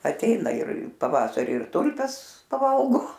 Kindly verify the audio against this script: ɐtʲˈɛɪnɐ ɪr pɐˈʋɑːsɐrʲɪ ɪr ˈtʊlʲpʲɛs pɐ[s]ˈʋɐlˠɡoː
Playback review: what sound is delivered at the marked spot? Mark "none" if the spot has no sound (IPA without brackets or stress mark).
none